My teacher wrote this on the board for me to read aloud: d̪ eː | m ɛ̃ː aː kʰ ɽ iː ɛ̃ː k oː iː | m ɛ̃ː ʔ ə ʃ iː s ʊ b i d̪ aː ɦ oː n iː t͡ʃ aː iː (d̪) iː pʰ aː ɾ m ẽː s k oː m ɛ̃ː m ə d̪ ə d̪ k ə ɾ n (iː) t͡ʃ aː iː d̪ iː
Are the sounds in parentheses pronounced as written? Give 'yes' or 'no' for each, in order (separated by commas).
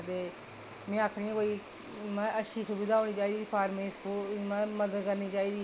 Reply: yes, yes